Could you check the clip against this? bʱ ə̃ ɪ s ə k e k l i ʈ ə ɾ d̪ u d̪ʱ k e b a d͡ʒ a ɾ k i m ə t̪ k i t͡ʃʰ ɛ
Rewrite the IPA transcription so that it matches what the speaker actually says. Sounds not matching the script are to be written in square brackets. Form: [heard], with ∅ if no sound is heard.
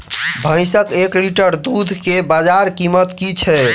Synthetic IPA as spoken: bʱ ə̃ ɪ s ə k e k l i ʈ ə ɾ d̪ u d̪ʱ k e b a d͡ʒ a ɾ k i m ə t̪ k i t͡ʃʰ ɛ